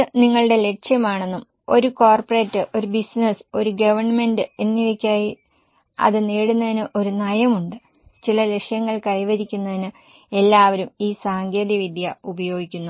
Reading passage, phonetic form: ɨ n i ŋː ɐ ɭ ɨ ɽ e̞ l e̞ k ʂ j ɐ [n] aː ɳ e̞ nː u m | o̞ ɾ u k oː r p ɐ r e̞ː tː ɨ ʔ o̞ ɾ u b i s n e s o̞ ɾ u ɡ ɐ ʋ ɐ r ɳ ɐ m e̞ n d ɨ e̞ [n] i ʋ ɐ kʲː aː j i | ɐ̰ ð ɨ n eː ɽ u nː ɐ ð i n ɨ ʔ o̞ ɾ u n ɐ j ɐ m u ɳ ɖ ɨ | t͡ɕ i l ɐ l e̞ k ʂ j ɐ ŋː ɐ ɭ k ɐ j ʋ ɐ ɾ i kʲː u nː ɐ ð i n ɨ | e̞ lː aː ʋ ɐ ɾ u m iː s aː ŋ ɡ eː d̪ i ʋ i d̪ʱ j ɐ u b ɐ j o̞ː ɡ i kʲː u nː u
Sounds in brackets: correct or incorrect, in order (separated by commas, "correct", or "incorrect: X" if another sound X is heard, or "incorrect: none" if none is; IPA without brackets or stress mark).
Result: incorrect: m, incorrect: nː